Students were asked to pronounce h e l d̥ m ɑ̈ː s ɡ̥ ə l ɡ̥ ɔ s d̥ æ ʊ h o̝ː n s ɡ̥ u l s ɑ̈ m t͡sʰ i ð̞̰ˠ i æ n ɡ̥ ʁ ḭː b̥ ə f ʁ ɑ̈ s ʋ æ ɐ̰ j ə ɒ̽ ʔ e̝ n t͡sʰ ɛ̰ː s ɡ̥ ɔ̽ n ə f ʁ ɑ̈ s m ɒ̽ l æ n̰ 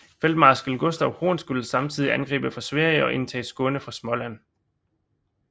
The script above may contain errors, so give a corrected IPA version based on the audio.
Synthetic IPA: f e l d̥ m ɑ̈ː s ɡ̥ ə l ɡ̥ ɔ s d̥ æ ʊ h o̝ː n s ɡ̥ u l s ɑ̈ m t͡sʰ i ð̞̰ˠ i æ n ɡ̥ ʁ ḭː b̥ ə f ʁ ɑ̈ s ʋ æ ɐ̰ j ə ɒ̽ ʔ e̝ n t͡sʰ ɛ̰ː s ɡ̥ ɔ̽ n ə f ʁ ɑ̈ s m ɒ̽ l æ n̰